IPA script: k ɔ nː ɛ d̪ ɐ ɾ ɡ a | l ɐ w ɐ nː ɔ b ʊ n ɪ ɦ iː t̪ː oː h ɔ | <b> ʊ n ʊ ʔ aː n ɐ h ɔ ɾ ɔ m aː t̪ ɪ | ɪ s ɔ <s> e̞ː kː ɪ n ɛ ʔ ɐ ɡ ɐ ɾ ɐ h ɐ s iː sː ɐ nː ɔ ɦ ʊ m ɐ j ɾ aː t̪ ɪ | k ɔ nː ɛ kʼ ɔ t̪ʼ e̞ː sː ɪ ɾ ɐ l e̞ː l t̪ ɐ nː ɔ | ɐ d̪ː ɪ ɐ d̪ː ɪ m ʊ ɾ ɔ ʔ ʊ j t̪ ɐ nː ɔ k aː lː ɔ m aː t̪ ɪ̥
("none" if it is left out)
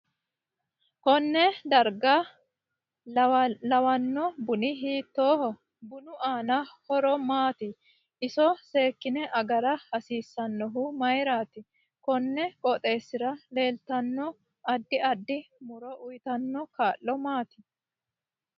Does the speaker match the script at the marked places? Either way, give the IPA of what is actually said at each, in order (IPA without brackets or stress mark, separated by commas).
b, s